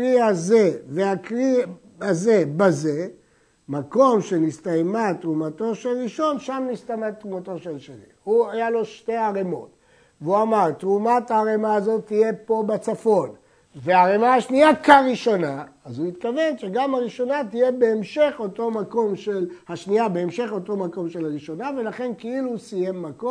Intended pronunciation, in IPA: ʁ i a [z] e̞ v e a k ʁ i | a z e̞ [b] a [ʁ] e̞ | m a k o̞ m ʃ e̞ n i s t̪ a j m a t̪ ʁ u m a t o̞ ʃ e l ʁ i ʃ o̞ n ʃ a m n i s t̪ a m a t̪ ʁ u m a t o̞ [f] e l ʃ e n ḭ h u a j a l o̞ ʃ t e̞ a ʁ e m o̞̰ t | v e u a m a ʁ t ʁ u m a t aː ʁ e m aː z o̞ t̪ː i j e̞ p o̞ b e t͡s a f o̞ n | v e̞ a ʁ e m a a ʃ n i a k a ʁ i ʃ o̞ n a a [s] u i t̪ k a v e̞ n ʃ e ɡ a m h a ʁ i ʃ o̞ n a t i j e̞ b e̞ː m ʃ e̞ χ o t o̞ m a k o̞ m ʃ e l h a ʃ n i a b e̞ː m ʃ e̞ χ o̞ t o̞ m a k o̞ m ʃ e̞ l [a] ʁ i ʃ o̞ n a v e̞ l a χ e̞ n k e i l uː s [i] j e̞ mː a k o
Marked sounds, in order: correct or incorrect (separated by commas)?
correct, correct, incorrect, incorrect, incorrect, correct, correct